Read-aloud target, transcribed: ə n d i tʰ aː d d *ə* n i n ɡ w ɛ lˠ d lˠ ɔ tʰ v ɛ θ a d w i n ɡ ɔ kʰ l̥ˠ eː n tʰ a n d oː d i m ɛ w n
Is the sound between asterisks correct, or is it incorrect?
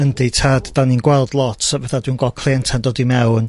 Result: incorrect